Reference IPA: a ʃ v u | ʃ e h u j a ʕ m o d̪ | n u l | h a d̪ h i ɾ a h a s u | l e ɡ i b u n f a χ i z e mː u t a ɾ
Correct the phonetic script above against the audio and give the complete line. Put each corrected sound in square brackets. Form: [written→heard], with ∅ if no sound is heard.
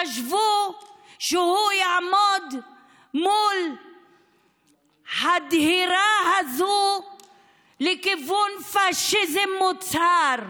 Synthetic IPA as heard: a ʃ v u | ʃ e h u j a ʕ m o d̪ | [n→m] u l | h a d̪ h i ɾ a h a [s→z] u | l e [ɡ→k] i [b→v] u n f a [χ→ʃ] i z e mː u [t→t͡s] a ɾ